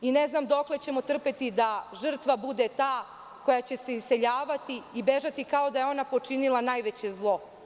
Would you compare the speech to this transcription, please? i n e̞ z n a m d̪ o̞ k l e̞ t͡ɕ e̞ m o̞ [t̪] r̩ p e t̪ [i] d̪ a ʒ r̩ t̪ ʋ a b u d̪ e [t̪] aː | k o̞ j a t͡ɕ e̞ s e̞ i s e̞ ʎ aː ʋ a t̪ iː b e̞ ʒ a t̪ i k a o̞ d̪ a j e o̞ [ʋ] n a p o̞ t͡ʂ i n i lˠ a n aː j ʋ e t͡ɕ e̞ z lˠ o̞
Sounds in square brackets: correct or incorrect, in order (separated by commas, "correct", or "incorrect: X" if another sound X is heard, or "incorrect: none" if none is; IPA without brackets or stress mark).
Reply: correct, correct, correct, incorrect: none